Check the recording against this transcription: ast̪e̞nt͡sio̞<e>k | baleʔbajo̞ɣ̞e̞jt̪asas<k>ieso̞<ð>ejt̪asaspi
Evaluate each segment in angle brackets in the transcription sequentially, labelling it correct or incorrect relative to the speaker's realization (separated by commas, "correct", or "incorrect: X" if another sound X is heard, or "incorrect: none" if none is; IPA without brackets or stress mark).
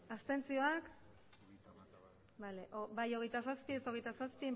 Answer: incorrect: a, incorrect: p, incorrect: ɣ